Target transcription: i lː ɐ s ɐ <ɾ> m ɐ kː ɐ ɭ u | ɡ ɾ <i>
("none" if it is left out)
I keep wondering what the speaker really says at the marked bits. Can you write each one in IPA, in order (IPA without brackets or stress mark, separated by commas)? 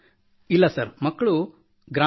ɾ, a